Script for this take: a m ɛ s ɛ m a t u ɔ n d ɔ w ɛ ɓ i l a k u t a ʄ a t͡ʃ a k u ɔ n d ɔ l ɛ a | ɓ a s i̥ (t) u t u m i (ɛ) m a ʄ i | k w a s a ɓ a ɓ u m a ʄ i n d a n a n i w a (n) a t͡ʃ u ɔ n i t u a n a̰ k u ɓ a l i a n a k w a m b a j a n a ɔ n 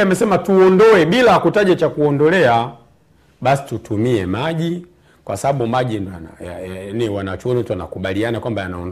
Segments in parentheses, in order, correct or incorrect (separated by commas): correct, correct, correct